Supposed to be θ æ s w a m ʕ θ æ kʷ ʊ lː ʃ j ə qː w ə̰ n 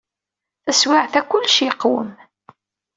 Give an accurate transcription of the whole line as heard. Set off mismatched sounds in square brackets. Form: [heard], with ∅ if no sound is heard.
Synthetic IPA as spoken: θ æ s w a [∅] ʕ θ æ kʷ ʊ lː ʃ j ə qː w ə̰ [m]